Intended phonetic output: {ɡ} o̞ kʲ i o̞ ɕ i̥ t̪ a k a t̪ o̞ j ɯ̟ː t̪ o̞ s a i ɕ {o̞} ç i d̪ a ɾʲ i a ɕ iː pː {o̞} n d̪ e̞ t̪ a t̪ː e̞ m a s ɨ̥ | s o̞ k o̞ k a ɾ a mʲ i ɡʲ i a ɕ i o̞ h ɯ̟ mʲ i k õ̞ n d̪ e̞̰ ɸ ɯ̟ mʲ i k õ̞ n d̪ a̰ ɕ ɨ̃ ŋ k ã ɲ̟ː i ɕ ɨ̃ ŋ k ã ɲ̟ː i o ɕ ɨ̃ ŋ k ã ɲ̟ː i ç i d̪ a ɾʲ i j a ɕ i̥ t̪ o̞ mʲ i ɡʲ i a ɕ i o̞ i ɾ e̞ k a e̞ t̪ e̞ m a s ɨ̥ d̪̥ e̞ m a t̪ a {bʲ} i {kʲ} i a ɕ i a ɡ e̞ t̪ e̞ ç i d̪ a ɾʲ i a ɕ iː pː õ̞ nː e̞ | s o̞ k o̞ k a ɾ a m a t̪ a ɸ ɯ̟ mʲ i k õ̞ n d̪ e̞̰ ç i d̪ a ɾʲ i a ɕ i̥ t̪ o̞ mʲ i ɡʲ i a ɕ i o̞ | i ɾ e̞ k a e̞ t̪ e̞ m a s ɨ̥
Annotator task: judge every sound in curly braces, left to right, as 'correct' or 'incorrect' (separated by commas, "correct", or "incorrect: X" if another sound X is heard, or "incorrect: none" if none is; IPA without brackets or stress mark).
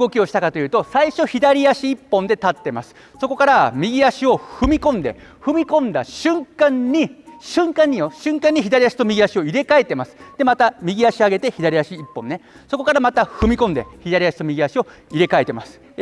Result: correct, correct, incorrect: õ̞, incorrect: mʲ, incorrect: ɡʲ